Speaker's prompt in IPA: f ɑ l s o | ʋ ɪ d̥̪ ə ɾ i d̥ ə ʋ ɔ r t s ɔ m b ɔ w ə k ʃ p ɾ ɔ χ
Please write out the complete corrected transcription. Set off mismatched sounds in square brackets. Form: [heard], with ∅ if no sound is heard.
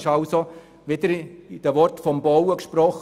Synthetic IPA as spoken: [ʃ] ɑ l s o | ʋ ɪ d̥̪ ə ɾ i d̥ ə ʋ ɔ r t [f] ɔ m b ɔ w ə k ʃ p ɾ ɔ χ

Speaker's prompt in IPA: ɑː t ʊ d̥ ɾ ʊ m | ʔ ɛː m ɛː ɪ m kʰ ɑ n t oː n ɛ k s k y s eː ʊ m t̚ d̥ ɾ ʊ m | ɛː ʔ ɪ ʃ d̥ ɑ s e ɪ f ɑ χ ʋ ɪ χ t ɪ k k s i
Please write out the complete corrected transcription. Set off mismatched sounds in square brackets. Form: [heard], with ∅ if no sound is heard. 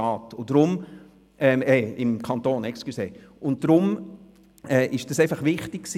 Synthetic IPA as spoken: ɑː t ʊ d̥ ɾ ʊ m | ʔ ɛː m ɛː ɪ m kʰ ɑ n t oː n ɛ k s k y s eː ʊ [n] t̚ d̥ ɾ ʊ m | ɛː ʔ ɪ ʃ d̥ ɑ s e ɪ f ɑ χ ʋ ɪ χ t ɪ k k s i

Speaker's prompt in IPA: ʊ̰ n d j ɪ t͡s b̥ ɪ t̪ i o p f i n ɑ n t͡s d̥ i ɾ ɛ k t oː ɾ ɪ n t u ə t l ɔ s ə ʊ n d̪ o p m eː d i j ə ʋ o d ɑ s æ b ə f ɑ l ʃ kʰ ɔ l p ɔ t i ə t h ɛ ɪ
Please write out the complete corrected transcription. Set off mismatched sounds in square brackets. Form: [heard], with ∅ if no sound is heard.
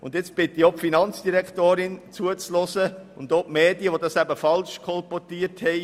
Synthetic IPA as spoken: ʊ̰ n d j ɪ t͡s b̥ ɪ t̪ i o p f i n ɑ n t͡s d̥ i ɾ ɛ k t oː ɾ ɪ n [t͡s] u ə [t͡s] l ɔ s ə ʊ n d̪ o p m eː d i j ə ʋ o d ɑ s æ b ə f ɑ l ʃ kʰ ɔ l p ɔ t i ə t h ɛ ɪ

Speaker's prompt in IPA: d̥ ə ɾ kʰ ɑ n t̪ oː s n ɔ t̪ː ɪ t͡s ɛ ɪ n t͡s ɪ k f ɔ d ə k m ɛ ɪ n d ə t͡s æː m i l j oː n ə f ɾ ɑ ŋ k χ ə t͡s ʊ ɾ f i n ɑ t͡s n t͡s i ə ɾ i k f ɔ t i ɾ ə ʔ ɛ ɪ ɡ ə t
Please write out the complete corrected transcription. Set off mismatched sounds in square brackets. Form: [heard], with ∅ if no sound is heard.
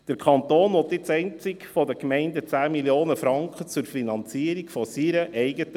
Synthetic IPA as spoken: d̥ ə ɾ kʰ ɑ n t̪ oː [∅] n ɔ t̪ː ɪ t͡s ɛ ɪ n t͡s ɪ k f ɔ d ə k m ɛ ɪ n d ə t͡s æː m i l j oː n ə f ɾ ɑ ŋ k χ ə t͡s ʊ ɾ f i n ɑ [∅] n t͡s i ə ɾ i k f ɔ [s] i ɾ ə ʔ ɛ ɪ ɡ ə t

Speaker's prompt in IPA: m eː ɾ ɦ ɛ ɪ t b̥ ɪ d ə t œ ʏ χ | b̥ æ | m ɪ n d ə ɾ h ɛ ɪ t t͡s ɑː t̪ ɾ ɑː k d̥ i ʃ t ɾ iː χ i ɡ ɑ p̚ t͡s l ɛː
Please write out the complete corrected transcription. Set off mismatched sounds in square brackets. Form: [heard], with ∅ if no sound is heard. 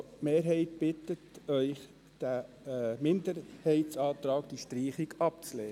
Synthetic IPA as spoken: m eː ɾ ɦ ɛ ɪ t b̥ ɪ [t] ə t œ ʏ χ | [d̥] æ | m ɪ n d ə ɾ h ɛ ɪ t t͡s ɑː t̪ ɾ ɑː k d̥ i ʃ t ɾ iː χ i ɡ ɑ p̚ t͡s l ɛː

